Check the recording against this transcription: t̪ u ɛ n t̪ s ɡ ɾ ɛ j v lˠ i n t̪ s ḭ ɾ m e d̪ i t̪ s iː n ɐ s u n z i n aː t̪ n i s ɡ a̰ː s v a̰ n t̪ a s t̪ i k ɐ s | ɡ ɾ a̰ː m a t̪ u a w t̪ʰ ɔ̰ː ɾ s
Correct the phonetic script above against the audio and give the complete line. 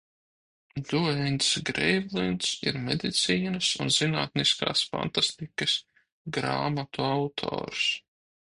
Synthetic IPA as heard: d̪ u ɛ n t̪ s ɡ ɾ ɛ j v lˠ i n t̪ s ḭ ɾ m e d̪ i t̪ s iː n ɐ s u n z i n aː t̪ n i s k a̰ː s f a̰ n t̪ a s t̪ i k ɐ s | ɡ ɾ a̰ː m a t̪ u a w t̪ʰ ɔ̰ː ɾ s